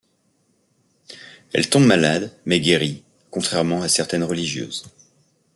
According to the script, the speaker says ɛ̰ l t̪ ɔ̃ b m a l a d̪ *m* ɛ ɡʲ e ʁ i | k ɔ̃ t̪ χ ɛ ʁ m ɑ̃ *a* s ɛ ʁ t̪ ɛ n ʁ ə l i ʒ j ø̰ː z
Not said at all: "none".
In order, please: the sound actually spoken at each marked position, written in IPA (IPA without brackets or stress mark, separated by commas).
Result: m, a